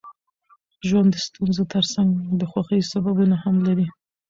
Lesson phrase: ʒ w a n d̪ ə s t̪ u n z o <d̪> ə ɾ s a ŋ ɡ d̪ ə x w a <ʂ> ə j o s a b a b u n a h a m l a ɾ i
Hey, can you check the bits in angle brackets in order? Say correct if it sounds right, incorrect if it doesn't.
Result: incorrect: t̪, incorrect: x

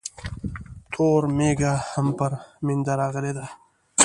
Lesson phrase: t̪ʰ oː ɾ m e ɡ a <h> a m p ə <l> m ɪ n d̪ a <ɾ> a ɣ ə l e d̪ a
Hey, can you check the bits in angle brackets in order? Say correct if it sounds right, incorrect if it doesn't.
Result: correct, incorrect: ɾ, correct

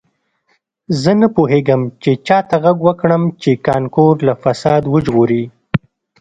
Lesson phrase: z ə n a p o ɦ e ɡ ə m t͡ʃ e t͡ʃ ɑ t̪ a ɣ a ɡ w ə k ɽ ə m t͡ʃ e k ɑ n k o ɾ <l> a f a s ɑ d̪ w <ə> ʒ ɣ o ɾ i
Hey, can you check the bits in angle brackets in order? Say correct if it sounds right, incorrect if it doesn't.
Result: correct, correct

